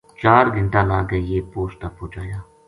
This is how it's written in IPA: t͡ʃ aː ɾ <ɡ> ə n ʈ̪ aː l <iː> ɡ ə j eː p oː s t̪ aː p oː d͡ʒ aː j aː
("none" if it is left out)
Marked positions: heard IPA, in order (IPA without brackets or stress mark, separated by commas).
ɡ, aː